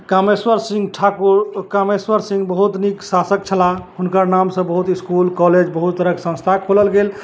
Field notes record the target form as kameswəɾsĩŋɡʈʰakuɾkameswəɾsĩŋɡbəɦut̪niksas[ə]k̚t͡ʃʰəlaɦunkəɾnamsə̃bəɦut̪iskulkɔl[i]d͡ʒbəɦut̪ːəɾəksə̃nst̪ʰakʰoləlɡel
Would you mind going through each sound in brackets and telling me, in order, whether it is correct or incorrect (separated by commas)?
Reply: correct, incorrect